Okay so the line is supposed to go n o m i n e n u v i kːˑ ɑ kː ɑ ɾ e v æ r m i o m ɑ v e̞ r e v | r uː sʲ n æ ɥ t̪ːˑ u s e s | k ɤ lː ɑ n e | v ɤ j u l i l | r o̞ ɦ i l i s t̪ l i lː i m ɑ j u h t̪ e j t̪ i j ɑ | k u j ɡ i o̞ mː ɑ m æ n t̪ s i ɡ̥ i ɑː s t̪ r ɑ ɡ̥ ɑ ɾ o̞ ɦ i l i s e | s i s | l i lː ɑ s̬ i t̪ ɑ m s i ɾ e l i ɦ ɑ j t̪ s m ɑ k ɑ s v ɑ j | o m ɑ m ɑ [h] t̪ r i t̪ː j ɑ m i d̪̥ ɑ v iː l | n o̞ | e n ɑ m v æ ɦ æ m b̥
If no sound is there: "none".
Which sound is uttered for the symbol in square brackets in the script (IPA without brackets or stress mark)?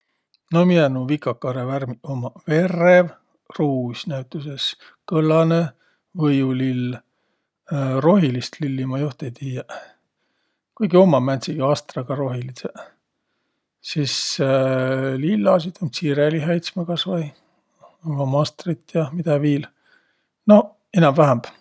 s